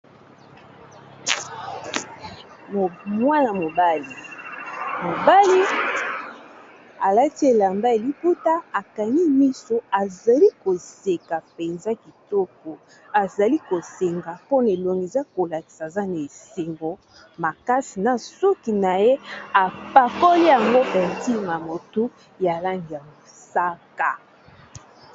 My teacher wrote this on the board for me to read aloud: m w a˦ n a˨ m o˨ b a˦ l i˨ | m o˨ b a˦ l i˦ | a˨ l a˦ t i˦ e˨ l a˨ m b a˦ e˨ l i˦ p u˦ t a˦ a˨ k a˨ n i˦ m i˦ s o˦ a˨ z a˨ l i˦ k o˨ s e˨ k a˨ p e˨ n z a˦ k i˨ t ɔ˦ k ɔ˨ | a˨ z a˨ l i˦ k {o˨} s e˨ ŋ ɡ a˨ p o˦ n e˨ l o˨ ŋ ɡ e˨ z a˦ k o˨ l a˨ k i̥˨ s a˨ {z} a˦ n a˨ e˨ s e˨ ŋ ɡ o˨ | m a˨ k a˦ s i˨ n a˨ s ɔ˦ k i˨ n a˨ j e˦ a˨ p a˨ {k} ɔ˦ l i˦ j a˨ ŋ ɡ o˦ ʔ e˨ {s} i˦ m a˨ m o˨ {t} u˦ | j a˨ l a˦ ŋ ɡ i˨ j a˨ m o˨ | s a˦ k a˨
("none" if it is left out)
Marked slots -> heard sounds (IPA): o˨, z, k, t, t

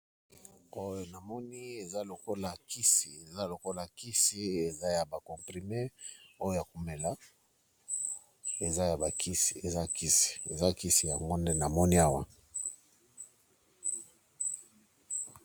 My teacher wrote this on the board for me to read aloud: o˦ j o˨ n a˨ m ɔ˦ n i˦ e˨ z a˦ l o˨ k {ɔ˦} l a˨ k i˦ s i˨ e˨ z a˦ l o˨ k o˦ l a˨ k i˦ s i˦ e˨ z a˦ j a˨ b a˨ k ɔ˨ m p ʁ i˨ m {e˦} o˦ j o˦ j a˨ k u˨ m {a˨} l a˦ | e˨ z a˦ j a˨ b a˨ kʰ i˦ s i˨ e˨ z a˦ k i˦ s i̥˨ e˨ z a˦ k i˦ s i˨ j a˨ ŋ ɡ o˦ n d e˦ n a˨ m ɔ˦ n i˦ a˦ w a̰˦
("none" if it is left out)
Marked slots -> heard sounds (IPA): o˦, e˦, e˨

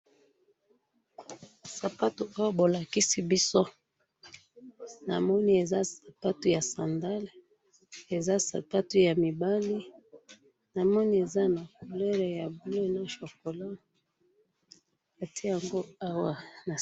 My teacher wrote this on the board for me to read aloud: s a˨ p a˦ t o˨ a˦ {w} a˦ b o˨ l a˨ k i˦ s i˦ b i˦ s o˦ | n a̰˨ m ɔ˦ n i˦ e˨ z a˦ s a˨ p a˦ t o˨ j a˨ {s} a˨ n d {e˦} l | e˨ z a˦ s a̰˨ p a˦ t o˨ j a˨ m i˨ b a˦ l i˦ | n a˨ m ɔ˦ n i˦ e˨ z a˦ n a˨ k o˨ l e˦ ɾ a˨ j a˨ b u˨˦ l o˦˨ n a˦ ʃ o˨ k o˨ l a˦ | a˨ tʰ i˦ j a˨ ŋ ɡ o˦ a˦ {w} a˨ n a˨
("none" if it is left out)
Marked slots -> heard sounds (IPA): w, s, a˦, w

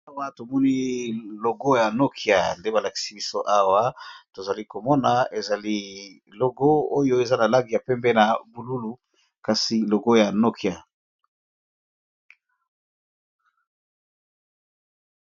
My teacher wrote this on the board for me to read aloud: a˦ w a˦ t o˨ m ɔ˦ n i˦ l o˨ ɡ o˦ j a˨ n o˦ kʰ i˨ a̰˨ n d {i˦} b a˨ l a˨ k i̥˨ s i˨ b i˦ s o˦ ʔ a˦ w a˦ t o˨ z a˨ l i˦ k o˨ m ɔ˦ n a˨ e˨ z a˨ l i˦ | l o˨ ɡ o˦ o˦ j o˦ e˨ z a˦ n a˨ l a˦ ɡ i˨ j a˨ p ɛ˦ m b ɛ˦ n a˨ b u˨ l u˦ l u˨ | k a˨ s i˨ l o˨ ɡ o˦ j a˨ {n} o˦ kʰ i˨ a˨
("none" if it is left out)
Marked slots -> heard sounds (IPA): e˦, n

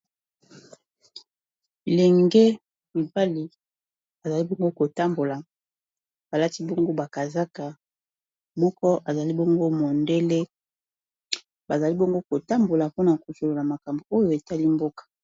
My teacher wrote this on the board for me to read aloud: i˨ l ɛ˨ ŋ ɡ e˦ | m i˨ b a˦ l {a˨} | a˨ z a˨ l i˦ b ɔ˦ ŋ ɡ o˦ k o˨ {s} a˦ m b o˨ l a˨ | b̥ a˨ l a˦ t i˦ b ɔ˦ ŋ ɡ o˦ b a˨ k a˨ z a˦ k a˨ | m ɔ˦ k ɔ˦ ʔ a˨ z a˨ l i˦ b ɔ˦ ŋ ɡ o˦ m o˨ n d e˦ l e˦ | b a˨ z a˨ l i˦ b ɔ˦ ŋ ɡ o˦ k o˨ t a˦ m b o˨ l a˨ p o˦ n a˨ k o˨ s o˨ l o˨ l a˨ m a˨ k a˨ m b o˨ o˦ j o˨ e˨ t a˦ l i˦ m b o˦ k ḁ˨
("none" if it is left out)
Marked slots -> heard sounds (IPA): i˨, t

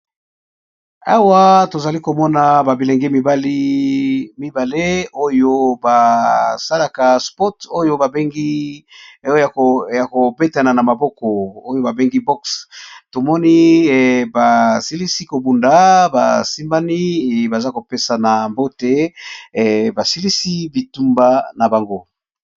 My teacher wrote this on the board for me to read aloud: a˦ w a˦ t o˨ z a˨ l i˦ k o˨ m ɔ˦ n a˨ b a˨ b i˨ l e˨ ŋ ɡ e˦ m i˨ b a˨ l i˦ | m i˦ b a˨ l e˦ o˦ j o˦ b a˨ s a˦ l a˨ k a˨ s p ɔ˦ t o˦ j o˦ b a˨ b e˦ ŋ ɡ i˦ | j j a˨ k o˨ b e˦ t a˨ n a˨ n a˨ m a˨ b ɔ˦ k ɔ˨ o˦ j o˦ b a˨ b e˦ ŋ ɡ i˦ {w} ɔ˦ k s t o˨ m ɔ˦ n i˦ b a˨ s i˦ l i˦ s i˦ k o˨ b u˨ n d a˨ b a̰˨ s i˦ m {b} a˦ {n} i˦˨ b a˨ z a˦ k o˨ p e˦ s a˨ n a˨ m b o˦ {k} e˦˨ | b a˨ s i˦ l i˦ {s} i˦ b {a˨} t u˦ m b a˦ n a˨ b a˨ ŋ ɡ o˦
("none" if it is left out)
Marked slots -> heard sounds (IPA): b, b, n, t, s, i˨

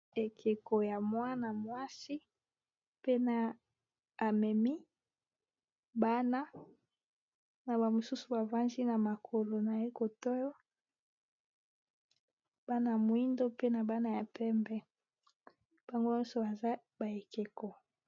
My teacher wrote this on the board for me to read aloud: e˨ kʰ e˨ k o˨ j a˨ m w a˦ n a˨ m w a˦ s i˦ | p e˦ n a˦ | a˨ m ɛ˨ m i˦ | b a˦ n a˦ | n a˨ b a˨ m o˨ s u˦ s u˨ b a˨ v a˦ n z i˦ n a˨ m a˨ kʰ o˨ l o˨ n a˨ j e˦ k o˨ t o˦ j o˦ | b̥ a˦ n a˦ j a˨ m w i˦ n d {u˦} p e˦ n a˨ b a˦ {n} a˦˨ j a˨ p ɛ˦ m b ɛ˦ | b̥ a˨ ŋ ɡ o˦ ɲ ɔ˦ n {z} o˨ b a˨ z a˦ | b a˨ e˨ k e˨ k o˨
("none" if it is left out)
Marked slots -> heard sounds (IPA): o˦, n, s

